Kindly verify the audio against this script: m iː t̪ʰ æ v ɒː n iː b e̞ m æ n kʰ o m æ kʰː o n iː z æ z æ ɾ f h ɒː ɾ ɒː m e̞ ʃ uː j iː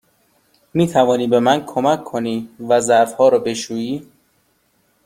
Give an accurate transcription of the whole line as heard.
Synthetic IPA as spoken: m iː t̪ʰ æ v ɒː n iː b e̞ m æ n kʰ o m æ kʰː o n iː v æ z æ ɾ f h ɒː ɾ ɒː b e̞ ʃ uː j iː